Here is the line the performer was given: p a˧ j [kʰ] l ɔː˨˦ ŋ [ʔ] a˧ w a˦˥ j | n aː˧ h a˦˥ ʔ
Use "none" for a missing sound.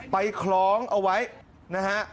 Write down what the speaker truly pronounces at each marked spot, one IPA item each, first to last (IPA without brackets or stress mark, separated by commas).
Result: kʰ, ʔ